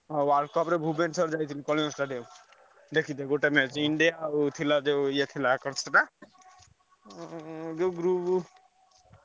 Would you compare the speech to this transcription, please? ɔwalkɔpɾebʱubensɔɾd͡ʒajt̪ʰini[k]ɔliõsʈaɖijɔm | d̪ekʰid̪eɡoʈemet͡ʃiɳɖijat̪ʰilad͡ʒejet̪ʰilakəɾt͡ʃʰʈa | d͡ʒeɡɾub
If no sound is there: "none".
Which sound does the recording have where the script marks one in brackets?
k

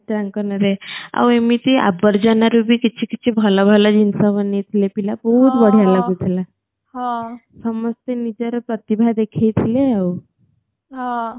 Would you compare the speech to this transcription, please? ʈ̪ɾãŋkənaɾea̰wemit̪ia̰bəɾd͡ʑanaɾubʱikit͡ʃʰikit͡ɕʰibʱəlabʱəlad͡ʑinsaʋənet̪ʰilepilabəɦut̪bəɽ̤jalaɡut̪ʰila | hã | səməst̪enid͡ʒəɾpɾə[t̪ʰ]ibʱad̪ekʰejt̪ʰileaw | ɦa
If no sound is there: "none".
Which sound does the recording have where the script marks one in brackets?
t̪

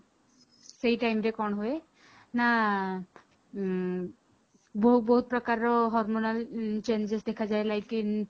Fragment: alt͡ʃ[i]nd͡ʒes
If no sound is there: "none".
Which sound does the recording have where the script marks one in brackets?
e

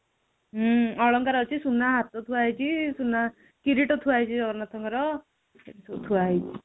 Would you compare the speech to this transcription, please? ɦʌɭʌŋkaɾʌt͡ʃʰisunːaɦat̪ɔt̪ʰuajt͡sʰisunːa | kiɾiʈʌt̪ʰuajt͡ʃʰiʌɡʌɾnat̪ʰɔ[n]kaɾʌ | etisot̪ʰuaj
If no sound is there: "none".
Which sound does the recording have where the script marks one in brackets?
ŋ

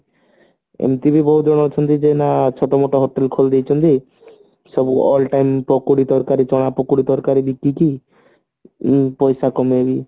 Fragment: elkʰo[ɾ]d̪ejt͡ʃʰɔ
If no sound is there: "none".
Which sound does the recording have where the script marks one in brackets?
l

